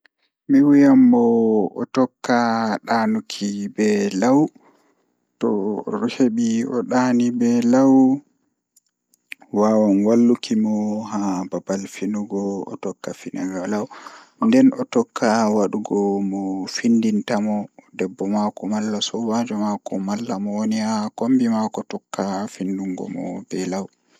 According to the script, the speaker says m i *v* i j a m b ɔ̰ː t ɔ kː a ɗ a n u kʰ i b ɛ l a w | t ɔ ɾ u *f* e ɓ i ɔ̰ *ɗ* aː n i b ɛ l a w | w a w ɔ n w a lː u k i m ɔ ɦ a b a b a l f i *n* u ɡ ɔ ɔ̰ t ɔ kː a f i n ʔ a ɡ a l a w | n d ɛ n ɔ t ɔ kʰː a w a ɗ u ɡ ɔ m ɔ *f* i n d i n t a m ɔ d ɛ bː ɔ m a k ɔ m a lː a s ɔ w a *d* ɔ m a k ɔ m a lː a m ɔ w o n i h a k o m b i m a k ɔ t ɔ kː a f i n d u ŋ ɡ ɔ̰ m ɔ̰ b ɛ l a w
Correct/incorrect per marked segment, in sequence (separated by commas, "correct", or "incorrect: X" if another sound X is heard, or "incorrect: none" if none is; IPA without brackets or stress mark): incorrect: w, incorrect: h, correct, correct, correct, incorrect: d͡ʒ